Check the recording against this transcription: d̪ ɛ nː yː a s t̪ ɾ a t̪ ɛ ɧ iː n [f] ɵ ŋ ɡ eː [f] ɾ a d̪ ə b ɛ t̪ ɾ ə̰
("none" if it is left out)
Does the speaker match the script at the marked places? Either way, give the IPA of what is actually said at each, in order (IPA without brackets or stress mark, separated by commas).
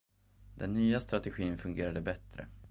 f, none